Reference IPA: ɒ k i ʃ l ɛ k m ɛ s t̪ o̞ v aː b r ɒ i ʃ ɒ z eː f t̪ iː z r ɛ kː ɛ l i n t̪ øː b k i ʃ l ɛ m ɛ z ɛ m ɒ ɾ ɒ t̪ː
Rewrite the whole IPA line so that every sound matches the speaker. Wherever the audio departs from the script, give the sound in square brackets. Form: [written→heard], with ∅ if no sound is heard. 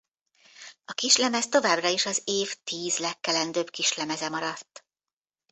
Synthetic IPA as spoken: ɒ k i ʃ l ɛ [k→∅] m ɛ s t̪ o̞ v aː b r ɒ i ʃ ɒ z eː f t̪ iː z [r→l] ɛ kː ɛ l [i→ɛ] n [t̪→d̪] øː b k i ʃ l ɛ m ɛ z ɛ m ɒ ɾ ɒ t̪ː